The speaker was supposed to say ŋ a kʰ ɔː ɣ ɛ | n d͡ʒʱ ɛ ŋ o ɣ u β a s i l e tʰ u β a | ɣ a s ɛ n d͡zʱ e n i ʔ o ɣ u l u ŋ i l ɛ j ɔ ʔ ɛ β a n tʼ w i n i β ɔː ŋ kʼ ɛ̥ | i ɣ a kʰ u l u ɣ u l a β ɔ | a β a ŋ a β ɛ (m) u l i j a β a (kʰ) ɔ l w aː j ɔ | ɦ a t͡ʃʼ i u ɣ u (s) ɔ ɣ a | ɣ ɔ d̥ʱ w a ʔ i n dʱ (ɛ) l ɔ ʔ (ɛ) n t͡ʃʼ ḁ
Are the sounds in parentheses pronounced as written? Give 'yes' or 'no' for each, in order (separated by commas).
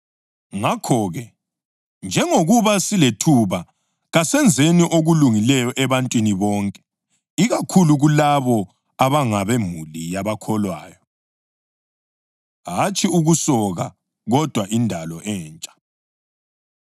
yes, yes, yes, no, no